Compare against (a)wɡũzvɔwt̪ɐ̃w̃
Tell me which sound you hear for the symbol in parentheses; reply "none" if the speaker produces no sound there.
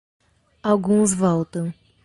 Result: a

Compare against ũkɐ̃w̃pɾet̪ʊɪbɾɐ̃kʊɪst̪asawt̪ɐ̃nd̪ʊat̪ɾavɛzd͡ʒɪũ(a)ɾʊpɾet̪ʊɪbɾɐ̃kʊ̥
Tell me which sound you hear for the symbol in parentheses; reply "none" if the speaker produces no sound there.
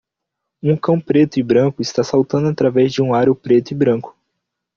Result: a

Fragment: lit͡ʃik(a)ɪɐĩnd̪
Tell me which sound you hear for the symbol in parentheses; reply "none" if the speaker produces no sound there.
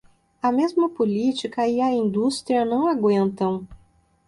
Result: ɐ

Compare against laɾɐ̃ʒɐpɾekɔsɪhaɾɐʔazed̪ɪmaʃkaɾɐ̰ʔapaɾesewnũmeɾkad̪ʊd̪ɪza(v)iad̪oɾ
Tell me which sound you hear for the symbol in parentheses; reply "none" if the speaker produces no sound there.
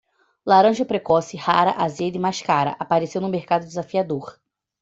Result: f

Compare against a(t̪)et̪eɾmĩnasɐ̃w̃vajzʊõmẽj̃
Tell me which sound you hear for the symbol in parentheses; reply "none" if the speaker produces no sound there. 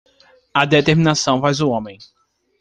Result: d̪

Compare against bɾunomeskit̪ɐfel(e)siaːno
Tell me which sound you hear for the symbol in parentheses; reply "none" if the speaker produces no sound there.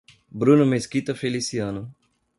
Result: i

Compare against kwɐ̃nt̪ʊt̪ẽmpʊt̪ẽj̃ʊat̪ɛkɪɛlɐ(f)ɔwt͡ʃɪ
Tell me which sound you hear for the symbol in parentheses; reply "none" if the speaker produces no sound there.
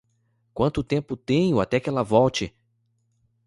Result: v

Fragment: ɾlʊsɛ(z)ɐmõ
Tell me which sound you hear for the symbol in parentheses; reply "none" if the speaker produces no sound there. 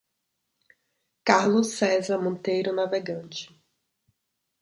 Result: z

